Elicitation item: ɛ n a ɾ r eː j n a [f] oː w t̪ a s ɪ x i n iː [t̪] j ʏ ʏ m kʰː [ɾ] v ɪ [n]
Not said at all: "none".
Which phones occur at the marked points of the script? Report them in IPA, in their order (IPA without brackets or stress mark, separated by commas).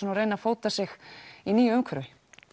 f, none, ɾ, none